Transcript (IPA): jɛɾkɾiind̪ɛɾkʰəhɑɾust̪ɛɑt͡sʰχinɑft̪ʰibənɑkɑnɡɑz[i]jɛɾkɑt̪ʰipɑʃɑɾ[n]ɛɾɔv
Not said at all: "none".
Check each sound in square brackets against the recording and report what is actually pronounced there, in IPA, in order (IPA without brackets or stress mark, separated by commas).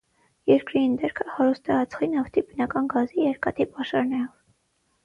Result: i, n